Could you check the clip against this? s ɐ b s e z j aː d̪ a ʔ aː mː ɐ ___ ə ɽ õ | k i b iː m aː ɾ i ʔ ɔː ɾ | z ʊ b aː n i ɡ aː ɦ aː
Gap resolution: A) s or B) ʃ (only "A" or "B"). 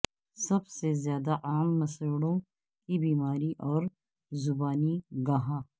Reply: A